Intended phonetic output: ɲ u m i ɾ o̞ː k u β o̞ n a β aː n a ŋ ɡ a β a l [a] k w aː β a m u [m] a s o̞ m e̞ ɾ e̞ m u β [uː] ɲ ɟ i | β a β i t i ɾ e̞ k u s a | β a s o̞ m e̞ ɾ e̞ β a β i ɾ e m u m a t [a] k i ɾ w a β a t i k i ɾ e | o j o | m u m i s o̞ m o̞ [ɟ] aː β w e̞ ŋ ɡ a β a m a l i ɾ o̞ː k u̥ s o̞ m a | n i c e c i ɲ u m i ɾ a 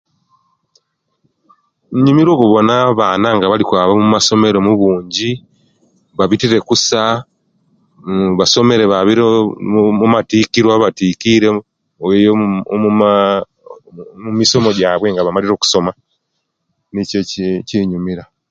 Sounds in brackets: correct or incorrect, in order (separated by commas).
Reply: incorrect, correct, correct, incorrect, correct